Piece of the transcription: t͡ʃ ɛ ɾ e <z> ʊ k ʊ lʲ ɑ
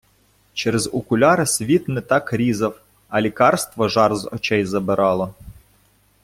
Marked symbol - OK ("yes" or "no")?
yes